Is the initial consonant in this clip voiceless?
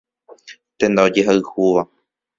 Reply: yes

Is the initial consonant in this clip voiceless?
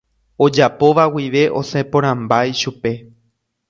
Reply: no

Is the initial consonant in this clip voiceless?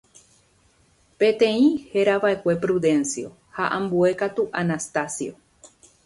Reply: yes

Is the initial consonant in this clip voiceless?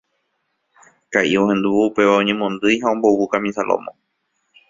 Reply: yes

